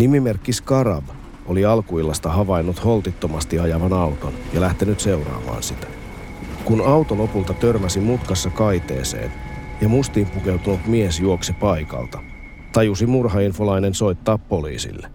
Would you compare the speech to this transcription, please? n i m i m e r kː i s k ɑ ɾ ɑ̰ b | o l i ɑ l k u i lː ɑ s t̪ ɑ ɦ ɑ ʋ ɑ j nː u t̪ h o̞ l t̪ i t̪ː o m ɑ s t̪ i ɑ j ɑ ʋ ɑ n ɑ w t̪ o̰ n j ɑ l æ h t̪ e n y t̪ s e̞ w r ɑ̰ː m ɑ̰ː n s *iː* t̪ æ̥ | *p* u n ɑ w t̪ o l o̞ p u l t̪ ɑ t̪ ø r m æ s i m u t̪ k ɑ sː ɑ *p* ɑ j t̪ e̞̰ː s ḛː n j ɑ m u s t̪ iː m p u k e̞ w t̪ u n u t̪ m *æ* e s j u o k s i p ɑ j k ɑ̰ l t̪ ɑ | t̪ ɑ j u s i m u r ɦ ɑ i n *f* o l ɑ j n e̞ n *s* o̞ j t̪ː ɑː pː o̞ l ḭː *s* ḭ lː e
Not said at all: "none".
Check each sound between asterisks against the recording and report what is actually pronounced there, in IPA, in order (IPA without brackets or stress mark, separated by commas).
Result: i, k, k, i, f, s, s